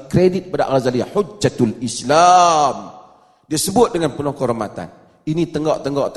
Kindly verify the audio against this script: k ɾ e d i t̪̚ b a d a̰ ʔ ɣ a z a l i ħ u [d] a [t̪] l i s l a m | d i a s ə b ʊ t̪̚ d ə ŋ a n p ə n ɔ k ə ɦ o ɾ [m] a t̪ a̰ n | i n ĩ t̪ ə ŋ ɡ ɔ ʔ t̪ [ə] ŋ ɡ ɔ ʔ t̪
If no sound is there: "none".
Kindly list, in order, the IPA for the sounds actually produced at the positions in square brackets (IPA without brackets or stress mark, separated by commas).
d͡ʒ, t̪, m, ə